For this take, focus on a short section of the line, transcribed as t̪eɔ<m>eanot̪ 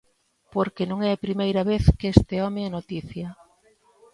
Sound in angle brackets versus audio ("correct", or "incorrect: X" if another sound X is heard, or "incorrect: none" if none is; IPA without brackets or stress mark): correct